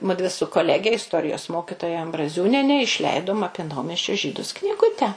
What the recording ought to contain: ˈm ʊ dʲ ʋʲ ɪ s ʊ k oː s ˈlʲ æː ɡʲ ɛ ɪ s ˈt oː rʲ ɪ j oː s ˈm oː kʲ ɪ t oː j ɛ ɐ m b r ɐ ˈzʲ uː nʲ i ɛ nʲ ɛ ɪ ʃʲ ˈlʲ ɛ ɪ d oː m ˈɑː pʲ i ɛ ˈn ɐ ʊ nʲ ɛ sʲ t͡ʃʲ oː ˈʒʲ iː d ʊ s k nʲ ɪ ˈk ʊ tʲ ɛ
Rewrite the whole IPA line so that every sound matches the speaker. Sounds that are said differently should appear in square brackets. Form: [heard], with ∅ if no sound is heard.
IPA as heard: ˈm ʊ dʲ ʋʲ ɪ s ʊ k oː [∅] ˈlʲ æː ɡʲ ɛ ɪ s ˈt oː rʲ ɪ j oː s ˈm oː kʲ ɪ t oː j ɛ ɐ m b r ɐ ˈzʲ uː nʲ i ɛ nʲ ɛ ɪ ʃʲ ˈlʲ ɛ ɪ d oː m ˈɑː pʲ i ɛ ˈn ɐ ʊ [mʲ] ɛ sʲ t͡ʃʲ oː ˈʒʲ iː d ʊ s k nʲ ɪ [ˈɡ] ʊ tʲ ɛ

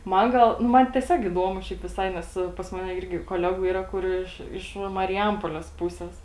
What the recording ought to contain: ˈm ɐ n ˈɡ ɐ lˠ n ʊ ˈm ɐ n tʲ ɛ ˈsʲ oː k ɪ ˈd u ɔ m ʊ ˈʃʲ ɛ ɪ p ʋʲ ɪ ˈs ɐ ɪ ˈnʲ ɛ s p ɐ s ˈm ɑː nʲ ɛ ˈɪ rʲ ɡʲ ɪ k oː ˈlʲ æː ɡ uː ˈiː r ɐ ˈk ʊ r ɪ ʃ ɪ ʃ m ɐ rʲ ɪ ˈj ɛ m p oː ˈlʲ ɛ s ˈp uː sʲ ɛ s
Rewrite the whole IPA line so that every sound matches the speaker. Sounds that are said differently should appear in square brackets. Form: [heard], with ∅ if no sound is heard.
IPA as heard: ˈm ɐ n ˈɡ ɐ lˠ n ʊ ˈm ɐ n tʲ ɛ ˈsʲ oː k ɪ ˈd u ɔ m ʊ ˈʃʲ ɛ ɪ p ʋʲ ɪ ˈs ɐ ɪ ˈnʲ ɛ s p ɐ s ˈm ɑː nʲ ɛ ˈɪ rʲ ɡʲ ɪ k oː ˈlʲ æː ɡ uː ˈiː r ɐ ˈk ʊ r ɪ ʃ ɪ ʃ m ɐ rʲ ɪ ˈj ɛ m p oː ˈlʲ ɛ s ˈp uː sʲ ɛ s

